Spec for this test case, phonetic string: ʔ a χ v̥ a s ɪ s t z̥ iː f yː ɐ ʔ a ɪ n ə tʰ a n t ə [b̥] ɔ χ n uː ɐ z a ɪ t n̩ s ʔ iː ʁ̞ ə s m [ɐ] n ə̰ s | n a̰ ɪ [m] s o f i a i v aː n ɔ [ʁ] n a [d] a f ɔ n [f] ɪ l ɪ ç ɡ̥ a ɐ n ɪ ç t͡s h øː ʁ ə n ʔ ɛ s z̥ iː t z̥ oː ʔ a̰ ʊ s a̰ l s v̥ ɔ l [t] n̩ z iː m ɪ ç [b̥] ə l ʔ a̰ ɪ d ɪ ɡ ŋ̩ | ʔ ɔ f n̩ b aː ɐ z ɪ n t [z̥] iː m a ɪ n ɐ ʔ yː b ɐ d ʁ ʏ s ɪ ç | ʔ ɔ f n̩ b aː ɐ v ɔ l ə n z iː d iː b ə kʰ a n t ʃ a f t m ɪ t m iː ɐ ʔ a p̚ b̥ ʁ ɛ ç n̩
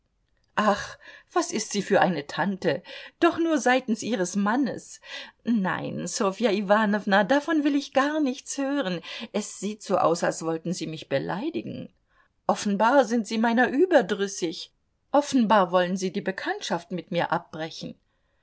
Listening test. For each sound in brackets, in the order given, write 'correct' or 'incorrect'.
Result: incorrect, incorrect, incorrect, incorrect, correct, incorrect, correct, correct, correct

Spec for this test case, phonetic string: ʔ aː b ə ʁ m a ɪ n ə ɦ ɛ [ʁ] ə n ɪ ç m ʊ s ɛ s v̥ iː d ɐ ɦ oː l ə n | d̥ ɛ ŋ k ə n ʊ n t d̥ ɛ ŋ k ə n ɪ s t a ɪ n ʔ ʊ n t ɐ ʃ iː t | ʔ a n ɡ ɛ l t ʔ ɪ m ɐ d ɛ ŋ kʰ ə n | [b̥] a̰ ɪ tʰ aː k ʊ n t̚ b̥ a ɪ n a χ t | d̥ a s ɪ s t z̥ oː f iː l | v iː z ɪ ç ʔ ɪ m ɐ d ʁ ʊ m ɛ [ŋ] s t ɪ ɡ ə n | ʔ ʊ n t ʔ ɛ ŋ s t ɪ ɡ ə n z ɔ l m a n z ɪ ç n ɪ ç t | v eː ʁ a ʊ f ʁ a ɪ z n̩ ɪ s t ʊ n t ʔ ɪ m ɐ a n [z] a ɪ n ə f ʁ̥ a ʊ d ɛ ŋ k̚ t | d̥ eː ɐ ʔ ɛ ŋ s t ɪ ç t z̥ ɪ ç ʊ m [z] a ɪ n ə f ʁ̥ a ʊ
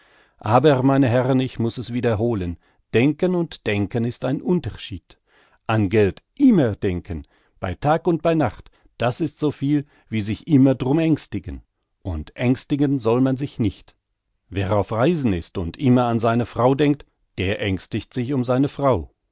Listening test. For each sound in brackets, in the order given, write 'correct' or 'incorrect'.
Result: correct, correct, correct, correct, correct

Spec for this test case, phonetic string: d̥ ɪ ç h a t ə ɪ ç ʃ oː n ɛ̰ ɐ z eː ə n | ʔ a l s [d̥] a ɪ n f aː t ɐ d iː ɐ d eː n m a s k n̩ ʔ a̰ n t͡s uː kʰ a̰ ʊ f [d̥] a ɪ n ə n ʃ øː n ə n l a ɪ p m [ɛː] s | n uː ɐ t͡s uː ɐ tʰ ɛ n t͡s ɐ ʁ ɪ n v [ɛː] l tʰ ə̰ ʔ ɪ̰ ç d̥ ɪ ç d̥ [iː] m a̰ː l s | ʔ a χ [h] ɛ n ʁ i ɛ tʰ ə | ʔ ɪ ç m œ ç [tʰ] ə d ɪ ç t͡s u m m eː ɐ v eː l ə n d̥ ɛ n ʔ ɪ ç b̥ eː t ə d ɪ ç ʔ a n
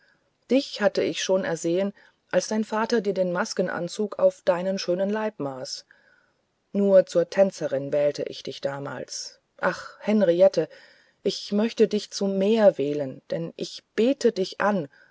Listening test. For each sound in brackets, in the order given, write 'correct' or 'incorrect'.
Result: correct, correct, incorrect, correct, incorrect, correct, incorrect

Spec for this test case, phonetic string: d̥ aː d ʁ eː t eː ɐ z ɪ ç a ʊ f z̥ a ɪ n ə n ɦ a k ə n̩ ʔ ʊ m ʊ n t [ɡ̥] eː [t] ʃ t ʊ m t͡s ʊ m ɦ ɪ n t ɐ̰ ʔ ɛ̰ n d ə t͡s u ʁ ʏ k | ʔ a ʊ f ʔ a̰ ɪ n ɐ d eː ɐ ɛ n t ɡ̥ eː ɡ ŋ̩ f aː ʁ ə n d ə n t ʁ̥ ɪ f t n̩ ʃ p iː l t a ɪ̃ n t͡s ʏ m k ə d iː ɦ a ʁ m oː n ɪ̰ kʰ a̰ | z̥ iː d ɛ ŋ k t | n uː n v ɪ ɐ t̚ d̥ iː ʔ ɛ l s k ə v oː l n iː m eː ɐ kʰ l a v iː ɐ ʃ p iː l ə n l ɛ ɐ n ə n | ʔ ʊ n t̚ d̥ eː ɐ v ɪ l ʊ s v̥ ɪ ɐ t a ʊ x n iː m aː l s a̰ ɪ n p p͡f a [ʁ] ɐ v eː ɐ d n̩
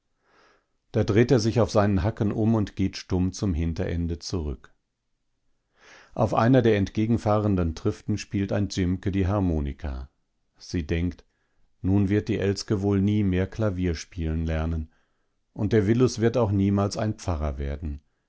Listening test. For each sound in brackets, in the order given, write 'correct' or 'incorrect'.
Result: correct, correct, correct

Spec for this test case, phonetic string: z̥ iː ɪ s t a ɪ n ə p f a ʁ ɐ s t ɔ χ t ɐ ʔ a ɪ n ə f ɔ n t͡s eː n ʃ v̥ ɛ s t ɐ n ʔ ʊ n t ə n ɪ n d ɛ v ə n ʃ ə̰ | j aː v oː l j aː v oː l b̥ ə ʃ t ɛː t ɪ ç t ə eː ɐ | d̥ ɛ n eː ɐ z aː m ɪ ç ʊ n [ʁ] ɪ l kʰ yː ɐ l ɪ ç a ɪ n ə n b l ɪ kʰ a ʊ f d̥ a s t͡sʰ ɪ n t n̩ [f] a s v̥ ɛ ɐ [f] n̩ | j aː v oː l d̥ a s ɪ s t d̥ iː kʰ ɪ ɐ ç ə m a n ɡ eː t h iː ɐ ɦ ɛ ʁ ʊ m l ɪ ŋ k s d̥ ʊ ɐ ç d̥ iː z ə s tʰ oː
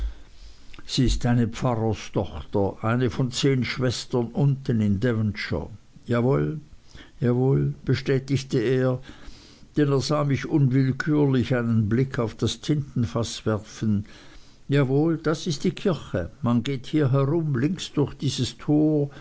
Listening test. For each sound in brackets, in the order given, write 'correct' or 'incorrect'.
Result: incorrect, correct, correct

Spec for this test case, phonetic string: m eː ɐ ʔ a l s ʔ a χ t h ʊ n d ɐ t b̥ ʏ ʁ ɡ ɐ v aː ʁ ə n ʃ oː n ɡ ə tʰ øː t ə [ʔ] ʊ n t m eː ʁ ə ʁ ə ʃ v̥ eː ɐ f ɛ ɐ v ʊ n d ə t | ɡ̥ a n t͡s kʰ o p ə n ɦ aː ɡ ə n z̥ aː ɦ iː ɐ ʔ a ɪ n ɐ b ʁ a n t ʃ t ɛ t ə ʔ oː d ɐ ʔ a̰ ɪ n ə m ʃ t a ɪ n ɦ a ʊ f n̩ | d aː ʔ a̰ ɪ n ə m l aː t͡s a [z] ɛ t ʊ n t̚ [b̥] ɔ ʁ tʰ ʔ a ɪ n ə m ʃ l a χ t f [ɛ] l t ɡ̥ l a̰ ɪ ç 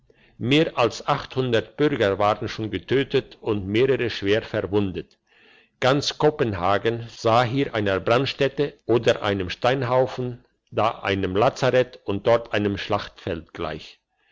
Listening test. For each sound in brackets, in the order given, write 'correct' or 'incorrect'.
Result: incorrect, incorrect, incorrect, correct

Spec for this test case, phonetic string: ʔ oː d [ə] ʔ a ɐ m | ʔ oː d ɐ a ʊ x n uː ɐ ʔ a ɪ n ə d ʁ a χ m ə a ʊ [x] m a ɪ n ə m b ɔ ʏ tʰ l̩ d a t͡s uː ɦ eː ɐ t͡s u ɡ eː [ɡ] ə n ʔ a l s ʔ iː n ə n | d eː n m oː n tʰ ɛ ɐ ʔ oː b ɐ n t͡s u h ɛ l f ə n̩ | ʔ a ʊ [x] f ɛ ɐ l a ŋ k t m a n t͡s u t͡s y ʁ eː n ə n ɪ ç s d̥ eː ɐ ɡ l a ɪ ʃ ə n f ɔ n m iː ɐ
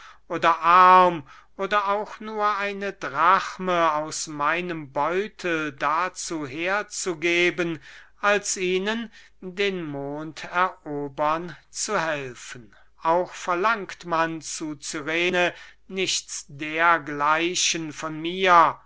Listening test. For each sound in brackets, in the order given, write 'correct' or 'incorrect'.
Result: incorrect, incorrect, incorrect, correct

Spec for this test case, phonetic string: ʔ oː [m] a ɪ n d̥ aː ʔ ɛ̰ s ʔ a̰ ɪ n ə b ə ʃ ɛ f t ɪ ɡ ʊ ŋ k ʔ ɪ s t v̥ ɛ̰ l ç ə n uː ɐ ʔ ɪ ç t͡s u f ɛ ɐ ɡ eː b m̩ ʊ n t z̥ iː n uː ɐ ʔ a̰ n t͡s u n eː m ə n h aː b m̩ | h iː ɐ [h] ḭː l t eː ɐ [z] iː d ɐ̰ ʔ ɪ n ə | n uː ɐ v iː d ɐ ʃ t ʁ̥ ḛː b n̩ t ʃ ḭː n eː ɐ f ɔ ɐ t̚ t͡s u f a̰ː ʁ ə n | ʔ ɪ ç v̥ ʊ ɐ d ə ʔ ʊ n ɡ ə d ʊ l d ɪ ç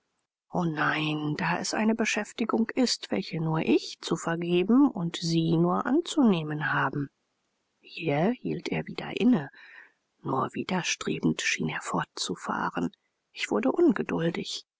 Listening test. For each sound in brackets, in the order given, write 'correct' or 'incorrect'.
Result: incorrect, correct, incorrect

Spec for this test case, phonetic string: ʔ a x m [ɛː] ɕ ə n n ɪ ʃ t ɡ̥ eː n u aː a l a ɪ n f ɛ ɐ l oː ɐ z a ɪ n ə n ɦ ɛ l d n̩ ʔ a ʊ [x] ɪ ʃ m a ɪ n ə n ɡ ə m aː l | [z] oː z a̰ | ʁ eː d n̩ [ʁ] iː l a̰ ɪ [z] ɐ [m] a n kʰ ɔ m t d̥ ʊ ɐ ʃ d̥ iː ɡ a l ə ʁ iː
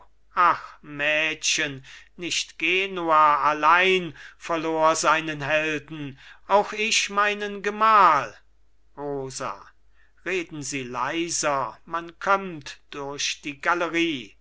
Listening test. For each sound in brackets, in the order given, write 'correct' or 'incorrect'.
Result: correct, correct, incorrect, incorrect, correct, correct

